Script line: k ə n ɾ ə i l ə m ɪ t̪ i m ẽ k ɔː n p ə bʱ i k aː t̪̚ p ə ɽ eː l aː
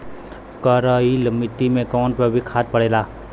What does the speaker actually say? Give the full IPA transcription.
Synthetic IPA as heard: k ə ɾ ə i l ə m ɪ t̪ i m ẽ k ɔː n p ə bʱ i kʰ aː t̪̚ p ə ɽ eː l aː